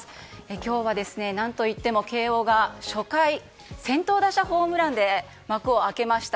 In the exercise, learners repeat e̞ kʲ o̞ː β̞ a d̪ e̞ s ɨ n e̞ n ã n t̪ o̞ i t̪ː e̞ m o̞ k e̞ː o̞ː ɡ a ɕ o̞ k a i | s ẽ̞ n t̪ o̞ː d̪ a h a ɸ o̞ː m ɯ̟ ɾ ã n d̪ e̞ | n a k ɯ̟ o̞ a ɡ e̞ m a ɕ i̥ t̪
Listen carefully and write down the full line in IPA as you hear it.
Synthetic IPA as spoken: e̞ kʲ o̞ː β̞ a d̪ e̞ s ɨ n e̞ n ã n t̪ o̞ i t̪ː e̞ m o̞ k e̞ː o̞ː ɡ a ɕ o̞ k a i | s ẽ̞ n t̪ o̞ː d̪ a ɕ a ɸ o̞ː m ɯ̟ ɾ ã n d̪ e̞ | m a k ɯ̟ o̞ a k e̞ m a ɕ i̥ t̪